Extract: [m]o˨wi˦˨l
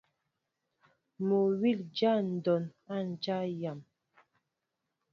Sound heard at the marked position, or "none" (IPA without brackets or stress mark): m